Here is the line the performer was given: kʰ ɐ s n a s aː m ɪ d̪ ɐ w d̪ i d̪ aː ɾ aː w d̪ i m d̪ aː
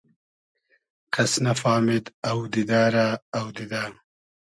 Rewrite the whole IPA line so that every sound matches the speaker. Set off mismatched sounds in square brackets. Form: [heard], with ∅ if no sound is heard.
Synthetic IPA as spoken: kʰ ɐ s n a [f] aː m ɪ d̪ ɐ w d̪ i d̪ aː ɾ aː w d̪ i [∅] d̪ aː